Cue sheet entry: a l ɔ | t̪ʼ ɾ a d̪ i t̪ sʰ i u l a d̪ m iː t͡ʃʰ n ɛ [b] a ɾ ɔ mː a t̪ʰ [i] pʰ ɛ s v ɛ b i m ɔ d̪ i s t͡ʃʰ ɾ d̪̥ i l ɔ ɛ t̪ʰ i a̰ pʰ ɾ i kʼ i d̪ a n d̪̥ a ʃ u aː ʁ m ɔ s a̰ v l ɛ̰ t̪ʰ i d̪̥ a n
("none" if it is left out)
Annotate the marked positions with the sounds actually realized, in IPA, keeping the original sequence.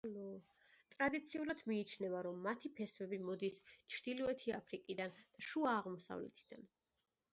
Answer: v, i

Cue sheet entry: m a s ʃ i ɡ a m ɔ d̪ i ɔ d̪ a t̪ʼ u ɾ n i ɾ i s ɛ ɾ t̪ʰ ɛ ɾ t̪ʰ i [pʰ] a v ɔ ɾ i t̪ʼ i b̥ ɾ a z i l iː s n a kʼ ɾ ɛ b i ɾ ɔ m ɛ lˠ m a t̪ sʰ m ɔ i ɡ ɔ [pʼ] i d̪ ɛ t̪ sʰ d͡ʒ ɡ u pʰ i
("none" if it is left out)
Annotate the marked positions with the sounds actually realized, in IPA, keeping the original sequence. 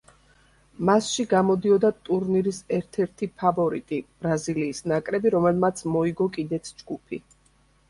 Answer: pʰ, kʼ

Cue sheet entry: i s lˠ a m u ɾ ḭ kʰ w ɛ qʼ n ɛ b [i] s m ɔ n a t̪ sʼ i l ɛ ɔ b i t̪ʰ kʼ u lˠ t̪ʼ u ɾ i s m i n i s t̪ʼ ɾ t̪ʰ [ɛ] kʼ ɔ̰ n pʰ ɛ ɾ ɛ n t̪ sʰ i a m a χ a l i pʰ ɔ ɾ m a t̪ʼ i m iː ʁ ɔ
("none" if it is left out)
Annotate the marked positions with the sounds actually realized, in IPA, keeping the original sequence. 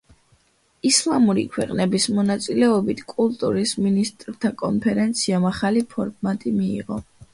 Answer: i, a

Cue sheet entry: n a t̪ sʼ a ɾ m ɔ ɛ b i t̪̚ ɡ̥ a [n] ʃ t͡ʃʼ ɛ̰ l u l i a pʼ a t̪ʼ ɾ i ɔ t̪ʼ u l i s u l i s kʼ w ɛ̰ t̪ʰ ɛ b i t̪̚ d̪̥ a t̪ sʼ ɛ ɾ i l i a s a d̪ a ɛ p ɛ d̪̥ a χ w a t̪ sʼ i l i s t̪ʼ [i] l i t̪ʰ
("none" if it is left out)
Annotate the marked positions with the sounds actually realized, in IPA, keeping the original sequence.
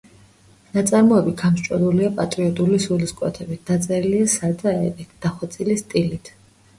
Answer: m, i

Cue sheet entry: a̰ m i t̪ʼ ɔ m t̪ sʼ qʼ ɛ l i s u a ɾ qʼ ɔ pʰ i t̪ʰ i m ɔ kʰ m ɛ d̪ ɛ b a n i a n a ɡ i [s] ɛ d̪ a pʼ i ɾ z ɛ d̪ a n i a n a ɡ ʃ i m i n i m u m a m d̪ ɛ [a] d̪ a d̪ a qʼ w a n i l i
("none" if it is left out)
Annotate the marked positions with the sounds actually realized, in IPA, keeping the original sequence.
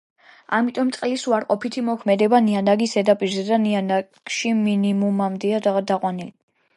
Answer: s, a

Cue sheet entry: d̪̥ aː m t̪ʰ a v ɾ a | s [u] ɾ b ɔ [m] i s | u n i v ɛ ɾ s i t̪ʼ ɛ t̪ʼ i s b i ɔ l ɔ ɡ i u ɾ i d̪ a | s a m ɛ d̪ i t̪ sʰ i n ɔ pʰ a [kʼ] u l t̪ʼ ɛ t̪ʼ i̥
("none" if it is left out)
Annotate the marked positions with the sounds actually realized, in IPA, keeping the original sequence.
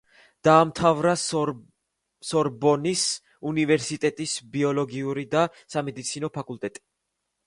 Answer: ɔ, n, kʼ

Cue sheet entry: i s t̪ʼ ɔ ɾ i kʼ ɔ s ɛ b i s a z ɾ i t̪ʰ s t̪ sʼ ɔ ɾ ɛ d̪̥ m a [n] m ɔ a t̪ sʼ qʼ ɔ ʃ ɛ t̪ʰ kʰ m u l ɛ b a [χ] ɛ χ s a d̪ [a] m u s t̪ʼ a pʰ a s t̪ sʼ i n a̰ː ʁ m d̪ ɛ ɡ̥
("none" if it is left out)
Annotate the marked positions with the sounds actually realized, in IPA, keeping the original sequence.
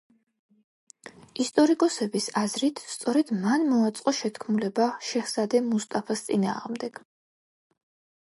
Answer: n, ʃ, ɛ

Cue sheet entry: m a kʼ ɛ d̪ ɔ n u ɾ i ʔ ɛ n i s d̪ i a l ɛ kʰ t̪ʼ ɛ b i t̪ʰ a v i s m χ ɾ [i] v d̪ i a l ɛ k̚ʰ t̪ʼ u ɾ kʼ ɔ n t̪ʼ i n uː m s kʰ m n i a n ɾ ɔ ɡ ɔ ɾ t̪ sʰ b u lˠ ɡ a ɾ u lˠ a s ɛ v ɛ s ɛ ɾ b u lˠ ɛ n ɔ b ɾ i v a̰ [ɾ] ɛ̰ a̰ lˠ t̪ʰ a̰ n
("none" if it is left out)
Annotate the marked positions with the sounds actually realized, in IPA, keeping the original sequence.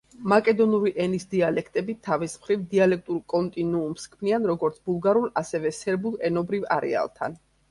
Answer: i, ɾ

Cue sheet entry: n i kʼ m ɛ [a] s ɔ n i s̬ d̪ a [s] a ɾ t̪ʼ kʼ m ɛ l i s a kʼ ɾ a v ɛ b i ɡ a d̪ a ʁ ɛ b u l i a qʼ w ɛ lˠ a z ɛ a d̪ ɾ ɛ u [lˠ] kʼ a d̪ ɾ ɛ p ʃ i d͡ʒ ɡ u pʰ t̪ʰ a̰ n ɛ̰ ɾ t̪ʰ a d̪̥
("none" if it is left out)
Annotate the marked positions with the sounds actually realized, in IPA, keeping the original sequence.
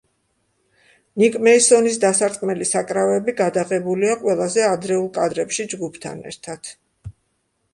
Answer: i, s, lˠ

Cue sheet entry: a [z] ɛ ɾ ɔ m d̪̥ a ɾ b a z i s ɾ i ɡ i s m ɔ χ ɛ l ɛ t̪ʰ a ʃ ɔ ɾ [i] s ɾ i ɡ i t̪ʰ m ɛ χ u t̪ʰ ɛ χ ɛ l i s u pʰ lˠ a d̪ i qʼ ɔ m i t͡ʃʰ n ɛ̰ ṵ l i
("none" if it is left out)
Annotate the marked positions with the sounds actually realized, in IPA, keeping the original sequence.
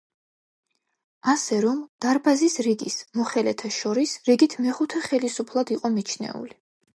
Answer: s, i

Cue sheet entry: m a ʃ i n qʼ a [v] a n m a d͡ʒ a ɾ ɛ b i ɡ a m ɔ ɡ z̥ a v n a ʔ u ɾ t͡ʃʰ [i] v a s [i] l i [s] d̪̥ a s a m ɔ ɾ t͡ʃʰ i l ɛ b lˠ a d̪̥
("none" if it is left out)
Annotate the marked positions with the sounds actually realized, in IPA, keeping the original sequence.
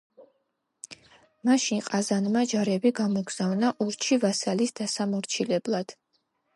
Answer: z, i, a, s

